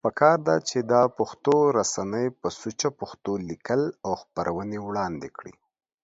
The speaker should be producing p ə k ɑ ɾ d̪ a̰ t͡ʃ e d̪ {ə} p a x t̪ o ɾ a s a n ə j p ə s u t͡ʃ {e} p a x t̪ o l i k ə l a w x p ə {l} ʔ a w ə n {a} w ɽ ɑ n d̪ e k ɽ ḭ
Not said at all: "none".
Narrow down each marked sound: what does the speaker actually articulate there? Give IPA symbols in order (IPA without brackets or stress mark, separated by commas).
ɑ, a, ɾ, e